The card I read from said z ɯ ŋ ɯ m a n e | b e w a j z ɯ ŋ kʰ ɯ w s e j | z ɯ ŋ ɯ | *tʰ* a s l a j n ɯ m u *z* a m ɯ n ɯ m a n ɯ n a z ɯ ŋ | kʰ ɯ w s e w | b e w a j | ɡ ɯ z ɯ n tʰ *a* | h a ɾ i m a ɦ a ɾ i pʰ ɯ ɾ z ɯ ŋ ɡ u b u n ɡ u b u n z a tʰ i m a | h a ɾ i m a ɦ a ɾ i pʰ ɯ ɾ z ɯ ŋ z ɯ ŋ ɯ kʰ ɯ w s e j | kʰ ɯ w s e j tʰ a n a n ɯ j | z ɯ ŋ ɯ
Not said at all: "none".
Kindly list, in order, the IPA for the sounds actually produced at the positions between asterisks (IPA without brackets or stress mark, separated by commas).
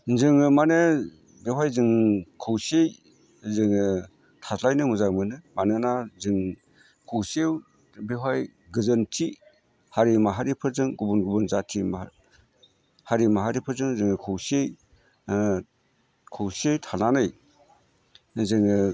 tʰ, z, i